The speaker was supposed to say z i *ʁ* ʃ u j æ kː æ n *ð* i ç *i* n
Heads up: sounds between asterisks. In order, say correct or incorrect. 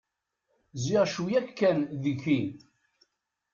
correct, correct, correct

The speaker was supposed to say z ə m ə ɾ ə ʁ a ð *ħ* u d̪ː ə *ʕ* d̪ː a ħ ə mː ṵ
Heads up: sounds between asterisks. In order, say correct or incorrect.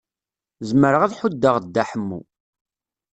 correct, incorrect

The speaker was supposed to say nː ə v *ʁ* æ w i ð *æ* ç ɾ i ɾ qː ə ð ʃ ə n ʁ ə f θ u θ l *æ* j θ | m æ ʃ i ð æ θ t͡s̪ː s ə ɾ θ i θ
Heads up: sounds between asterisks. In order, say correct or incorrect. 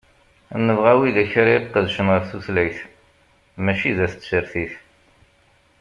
correct, correct, correct

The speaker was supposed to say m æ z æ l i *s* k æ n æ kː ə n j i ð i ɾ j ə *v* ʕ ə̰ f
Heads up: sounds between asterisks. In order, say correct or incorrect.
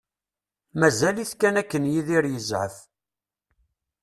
incorrect, incorrect

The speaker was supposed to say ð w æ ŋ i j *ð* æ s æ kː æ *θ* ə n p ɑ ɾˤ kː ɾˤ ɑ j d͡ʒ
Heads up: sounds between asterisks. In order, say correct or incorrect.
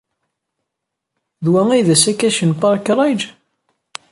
correct, incorrect

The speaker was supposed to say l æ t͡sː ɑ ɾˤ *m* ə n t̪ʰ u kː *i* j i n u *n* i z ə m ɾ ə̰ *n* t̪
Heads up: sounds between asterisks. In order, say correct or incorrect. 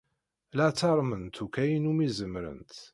correct, incorrect, incorrect, correct

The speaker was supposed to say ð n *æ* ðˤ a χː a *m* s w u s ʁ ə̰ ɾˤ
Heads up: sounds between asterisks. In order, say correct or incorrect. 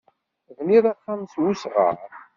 incorrect, correct

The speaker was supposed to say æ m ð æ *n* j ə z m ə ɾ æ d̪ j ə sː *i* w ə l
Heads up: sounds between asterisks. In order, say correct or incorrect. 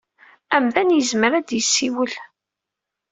correct, correct

